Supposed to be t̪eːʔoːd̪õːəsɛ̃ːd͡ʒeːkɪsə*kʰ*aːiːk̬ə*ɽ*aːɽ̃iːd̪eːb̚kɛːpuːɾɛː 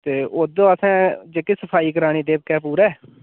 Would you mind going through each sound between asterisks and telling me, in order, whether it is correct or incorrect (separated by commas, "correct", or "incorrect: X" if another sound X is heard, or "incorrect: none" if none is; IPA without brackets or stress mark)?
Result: incorrect: pʰ, incorrect: ɾ